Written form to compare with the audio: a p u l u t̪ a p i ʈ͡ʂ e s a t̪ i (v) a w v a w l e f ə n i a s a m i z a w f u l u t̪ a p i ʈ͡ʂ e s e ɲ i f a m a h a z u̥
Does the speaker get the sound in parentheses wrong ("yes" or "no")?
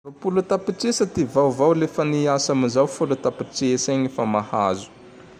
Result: no